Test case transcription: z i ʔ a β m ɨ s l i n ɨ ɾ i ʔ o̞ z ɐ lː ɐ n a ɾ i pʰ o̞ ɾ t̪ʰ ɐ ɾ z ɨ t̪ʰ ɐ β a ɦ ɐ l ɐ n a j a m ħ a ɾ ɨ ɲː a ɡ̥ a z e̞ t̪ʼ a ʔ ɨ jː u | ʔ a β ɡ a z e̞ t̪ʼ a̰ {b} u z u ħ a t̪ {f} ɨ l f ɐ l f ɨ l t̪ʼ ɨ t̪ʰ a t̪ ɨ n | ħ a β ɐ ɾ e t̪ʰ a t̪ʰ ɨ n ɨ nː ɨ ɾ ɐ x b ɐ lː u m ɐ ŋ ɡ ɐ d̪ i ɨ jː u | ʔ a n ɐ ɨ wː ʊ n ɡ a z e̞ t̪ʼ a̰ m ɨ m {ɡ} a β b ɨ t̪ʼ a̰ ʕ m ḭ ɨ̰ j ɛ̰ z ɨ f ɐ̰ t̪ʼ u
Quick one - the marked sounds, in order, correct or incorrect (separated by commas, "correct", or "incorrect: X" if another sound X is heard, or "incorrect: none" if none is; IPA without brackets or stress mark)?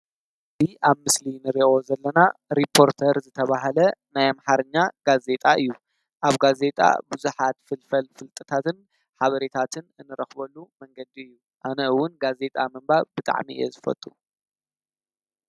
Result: correct, correct, incorrect: b